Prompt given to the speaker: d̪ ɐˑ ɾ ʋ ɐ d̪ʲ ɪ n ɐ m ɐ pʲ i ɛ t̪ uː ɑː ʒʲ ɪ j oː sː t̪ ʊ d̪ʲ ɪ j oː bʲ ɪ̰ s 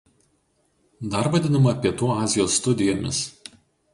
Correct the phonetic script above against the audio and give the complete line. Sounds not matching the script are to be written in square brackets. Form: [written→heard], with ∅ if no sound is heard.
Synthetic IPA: d̪ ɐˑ ɾ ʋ ɐ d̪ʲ ɪ n ɐ m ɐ pʲ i ɛ t̪ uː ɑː [ʒʲ→zʲ] ɪ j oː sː t̪ ʊ d̪ʲ ɪ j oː [bʲ→mʲ] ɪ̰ s